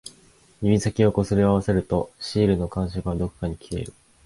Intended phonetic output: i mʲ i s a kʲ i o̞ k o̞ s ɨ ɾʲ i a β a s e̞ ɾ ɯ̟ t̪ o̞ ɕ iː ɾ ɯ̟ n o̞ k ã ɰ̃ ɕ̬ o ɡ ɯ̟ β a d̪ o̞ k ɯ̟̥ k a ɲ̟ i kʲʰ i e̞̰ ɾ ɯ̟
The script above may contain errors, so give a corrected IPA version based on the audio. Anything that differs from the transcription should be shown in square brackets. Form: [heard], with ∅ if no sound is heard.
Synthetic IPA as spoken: i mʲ i s a kʲ i o̞ k o̞ s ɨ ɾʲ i a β a s e̞ ɾ ɯ̟ t̪ o̞ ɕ iː ɾ ɯ̟ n o̞ k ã ɰ̃ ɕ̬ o [k] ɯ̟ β a d̪ o̞ k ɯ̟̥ k a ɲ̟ i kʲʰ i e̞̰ ɾ ɯ̟